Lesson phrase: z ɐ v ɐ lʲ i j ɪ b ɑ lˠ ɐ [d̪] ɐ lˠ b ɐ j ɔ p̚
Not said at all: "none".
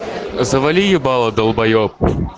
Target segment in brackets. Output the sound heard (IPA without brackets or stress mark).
d̪